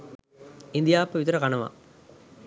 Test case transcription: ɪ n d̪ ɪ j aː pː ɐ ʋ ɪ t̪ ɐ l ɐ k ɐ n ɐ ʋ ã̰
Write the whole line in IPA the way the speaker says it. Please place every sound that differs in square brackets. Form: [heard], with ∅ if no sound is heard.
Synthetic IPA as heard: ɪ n d̪ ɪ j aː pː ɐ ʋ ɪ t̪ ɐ [ɾ] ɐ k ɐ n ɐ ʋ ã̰